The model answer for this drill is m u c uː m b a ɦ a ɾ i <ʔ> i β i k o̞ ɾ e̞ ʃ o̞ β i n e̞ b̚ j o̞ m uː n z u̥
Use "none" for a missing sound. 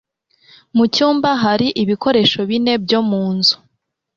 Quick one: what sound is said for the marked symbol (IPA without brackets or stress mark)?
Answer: ʔ